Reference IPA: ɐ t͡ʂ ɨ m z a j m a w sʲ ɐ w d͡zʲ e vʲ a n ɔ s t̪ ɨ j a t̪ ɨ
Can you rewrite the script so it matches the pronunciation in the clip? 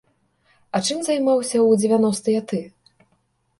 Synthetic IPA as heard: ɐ t͡ʂ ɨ m z a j m a w sʲ ɐ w d͡zʲ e vʲ a n ɔ s t̪ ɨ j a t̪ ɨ